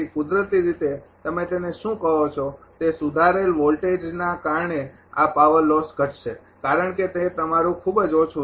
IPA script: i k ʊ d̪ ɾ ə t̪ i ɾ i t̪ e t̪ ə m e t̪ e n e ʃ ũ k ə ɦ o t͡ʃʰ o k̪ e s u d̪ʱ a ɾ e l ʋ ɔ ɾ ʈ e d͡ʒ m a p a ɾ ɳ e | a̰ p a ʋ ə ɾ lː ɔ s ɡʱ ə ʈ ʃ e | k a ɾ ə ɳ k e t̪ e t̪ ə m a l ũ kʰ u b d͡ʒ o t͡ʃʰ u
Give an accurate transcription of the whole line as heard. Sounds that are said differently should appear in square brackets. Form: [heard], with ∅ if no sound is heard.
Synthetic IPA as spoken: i k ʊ d̪ ɾ ə t̪ i ɾ i t̪ e t̪ ə m e t̪ e n e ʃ ũ k ə ɦ o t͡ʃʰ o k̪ e s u d̪ʱ a ɾ e l ʋ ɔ [l] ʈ e d͡ʒ [n] a [k] a ɾ ɳ e | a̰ p a ʋ ə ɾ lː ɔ s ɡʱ ə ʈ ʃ e | k a ɾ ə ɳ k e t̪ e t̪ ə m a [ɾ] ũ kʰ u b d͡ʒ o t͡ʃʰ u